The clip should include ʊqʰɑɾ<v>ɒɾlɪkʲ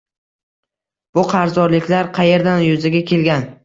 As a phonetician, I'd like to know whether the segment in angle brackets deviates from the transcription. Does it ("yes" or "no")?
yes